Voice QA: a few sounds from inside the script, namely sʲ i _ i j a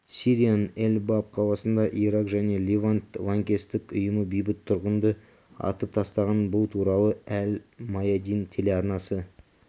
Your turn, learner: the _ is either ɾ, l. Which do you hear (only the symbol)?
ɾ